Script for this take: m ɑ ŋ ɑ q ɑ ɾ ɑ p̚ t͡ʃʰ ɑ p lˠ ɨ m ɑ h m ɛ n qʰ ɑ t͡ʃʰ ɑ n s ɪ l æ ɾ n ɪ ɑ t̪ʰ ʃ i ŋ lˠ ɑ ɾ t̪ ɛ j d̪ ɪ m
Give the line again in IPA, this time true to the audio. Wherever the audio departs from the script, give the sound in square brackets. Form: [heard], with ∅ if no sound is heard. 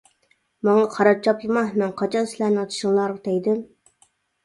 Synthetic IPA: m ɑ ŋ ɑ [qʰ] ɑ ɾ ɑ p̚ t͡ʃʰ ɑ p lˠ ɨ m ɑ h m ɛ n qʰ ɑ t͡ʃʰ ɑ n s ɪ l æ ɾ n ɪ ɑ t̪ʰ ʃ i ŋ lˠ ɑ ɾ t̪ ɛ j d̪ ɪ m